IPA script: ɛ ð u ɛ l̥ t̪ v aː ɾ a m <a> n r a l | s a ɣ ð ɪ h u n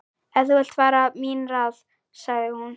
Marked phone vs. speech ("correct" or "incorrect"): incorrect